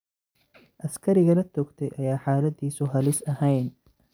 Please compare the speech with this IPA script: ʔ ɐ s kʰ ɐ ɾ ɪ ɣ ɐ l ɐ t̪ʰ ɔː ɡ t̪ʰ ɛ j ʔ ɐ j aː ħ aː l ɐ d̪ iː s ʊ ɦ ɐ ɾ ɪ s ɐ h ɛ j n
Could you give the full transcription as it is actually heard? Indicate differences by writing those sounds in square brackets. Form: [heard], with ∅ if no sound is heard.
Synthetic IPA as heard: ʔ ɐ s kʰ ɐ ɾ ɪ ɣ ɐ l ɐ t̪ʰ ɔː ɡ t̪ʰ ɛ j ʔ ɐ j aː ħ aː l ɐ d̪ iː s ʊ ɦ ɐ [l] ɪ s ɐ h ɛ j n

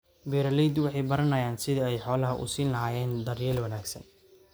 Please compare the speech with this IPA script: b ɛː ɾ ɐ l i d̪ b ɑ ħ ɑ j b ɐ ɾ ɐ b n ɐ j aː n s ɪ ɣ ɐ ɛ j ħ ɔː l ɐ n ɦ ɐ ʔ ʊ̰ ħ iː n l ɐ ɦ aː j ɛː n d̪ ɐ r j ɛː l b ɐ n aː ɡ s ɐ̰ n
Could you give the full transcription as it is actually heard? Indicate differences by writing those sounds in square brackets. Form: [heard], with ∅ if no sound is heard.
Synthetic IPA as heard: b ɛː ɾ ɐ l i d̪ [w] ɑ ħ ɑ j b ɐ ɾ ɐ [∅] n ɐ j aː n s ɪ [ð] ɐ ɛ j ħ ɔː l ɐ [∅] ɦ ɐ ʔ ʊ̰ [s] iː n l ɐ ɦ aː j ɛː n d̪ ɐ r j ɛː l [w] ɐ n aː ɡ s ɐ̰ n

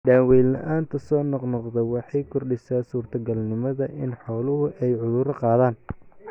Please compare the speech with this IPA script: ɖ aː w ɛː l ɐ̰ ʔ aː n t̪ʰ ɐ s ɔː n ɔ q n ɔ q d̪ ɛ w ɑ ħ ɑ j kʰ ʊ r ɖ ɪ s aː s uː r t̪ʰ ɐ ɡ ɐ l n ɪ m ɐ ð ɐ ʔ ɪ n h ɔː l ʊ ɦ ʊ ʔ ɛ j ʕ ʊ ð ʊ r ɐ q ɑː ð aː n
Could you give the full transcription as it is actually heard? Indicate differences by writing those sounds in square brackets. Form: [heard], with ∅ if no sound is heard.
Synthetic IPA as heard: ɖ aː w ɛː l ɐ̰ ʔ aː n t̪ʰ ɐ s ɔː n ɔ q n ɔ q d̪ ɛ w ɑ ħ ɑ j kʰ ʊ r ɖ ɪ s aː s uː r t̪ʰ ɐ ɡ ɐ l n ɪ m ɐ ð ɐ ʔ ɪ n [ħ] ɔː l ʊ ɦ ʊ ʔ ɛ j ʕ ʊ ð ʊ [ɾ] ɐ q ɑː ð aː n

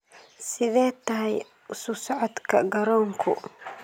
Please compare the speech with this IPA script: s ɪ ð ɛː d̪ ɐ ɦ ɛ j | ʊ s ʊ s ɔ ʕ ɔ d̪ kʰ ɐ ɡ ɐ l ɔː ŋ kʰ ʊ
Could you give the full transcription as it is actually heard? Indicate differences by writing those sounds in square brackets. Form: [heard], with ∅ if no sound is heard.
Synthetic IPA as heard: s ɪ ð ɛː [t̪] ɐ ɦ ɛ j | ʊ s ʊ s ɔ ʕ ɔ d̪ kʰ ɐ ɡ ɐ [ɾ] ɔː ŋ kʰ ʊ

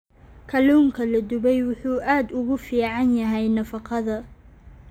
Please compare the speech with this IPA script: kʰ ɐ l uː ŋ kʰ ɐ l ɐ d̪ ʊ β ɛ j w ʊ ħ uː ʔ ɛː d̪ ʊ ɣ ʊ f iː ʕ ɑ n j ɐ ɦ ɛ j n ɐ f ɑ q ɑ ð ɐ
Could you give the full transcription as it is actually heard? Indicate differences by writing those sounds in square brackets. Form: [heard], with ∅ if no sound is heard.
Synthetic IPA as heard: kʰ ɐ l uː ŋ kʰ ɐ l ɐ d̪ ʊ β ɛ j w ʊ ħ uː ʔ [aː] d̪ ʊ ɣ ʊ f iː ʕ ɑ n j ɐ ɦ ɛ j n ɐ f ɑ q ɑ ð ɐ

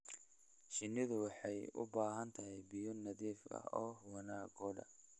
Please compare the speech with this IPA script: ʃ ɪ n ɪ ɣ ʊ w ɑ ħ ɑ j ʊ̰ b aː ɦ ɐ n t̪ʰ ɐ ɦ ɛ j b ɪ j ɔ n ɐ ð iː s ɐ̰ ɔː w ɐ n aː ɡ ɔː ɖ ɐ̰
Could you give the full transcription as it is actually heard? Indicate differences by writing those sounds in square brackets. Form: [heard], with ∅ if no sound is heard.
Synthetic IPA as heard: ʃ ɪ n ɪ [ð] ʊ w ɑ ħ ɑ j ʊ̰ b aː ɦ ɐ n t̪ʰ ɐ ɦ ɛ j b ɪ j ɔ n ɐ ð iː [f] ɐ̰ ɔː w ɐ n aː ɡ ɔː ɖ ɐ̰

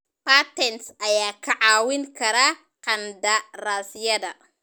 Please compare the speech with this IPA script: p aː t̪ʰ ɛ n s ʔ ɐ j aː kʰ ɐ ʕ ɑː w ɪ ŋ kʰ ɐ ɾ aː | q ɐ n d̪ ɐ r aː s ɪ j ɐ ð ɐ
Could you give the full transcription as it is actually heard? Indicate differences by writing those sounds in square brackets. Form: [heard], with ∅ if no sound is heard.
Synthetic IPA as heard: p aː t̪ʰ ɛ n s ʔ ɐ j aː kʰ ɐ ʕ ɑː w ɪ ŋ kʰ ɐ ɾ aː | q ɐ n d̪ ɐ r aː s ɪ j ɐ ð ɐ

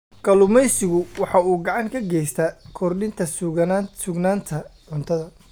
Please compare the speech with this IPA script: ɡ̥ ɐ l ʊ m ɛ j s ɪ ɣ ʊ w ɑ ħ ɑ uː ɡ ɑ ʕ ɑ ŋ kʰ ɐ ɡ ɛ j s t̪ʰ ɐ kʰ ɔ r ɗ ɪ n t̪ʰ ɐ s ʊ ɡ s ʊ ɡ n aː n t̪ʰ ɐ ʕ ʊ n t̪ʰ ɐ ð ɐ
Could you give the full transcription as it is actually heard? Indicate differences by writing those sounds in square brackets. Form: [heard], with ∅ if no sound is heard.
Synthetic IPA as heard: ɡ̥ ɐ l ʊ m ɛ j s ɪ ɣ ʊ w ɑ ħ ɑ uː ɡ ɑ ʕ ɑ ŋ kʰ ɐ ɡ ɛ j s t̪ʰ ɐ kʰ ɔ r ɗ ɪ n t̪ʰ ɐ s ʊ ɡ s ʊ ɡ n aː n t̪ʰ ɐ ʕ ʊ n t̪ʰ ɐ ð ɐ

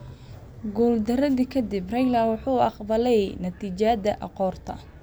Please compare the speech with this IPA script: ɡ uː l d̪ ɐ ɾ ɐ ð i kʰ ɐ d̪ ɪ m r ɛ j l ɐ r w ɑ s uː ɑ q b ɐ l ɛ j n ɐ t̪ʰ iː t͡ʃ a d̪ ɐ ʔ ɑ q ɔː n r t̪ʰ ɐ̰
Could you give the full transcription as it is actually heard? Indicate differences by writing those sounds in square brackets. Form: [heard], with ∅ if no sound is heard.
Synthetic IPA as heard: ɡ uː l d̪ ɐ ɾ ɐ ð i kʰ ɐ d̪ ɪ [b] r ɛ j l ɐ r w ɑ [ħ] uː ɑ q b ɐ l ɛ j n ɐ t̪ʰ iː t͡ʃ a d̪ ɐ ʔ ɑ q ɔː [∅] r t̪ʰ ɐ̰

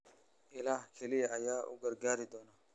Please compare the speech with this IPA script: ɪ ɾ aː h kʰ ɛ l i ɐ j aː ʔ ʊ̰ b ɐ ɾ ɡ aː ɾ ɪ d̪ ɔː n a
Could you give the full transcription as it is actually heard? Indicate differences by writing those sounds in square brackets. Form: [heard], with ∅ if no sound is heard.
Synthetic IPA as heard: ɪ [l] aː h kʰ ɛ l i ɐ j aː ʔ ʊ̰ [ɡ] ɐ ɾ ɡ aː ɾ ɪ d̪ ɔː n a

